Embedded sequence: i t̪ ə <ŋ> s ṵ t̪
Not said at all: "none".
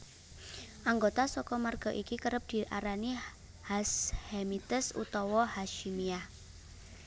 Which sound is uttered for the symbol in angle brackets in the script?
none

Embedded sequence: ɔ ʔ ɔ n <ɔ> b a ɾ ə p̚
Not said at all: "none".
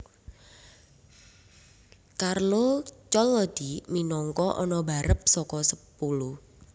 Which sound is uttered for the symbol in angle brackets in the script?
ɔ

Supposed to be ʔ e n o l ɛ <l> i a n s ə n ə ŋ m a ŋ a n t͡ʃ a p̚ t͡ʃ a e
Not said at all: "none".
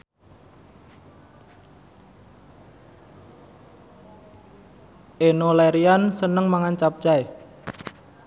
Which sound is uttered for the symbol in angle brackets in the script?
ɾ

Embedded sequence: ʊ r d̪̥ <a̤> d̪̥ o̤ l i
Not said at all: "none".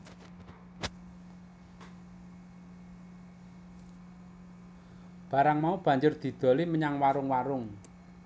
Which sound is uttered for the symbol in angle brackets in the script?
i̤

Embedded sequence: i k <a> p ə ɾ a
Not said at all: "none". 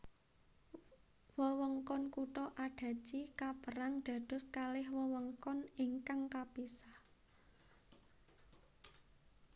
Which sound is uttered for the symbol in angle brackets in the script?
a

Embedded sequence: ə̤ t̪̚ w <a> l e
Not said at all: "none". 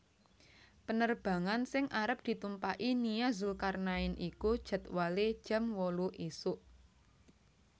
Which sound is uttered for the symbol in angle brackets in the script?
a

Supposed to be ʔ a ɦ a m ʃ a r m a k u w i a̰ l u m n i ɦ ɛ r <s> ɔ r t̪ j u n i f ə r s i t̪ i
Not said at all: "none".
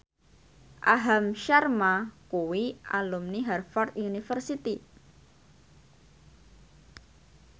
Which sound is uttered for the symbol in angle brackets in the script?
f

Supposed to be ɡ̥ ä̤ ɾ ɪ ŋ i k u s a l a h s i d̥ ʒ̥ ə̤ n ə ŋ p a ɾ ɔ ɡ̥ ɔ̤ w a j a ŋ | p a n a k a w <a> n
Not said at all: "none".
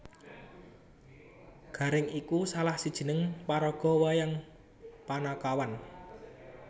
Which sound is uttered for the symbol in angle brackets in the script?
a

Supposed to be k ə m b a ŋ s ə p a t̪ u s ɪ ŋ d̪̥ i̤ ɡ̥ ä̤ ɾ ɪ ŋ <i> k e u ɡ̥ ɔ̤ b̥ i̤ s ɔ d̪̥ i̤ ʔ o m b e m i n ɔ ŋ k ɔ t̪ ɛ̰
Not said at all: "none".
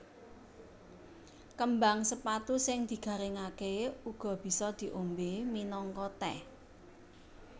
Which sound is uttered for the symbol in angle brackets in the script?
a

